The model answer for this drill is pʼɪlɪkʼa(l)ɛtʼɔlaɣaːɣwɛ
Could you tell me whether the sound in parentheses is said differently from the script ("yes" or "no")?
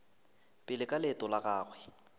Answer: no